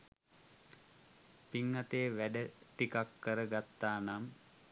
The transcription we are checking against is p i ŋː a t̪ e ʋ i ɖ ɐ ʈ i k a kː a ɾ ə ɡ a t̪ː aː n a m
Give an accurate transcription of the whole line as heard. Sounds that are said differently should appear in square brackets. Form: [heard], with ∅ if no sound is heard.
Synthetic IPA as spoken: p i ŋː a t̪ e ʋ [æ] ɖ [ə] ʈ i k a kː [ə] ɾ ə ɡ a t̪ː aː n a m